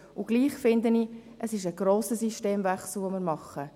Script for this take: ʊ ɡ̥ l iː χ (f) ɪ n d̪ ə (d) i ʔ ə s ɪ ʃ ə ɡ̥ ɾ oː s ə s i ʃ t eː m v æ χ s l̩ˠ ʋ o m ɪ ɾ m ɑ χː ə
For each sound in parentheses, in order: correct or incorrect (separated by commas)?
correct, incorrect